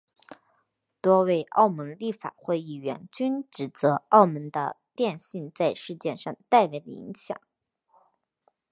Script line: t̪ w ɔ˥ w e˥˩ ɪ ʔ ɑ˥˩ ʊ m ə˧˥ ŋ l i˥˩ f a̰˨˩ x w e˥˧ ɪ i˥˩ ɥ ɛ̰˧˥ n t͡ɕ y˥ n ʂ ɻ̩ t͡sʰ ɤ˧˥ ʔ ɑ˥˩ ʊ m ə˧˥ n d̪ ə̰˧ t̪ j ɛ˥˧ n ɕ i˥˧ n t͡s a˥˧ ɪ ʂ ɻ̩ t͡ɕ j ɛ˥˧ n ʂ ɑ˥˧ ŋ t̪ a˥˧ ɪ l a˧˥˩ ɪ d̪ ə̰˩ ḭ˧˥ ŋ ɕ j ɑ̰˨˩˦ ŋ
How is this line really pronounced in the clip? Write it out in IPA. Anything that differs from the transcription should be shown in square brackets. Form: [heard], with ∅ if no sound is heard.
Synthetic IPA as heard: t̪ w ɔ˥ w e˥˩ ɪ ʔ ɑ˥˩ ʊ m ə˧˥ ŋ l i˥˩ f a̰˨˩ x w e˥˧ ɪ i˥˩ ɥ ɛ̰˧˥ n t͡ɕ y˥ n [ʈ͡ʂ] ɻ̩ [t͡s] ɤ˧˥ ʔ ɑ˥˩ ʊ m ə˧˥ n d̪ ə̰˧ t̪ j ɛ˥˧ n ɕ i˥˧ n t͡s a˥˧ ɪ ʂ ɻ̩ t͡ɕ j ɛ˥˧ n ʂ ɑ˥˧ ŋ t̪ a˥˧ ɪ l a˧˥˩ ɪ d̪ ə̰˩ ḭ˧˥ ŋ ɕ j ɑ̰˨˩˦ ŋ